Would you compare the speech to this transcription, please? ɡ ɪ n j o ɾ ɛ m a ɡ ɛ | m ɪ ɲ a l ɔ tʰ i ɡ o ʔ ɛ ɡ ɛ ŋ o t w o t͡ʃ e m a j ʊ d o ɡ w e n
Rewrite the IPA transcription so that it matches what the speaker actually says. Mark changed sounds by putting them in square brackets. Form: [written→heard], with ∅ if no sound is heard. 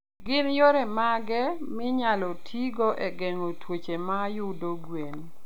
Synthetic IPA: ɡ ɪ n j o ɾ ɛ m a ɡ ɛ | m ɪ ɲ a l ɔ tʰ i ɡ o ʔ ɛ ɡ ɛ ŋ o t w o t͡ʃ e m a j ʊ d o ɡ w e n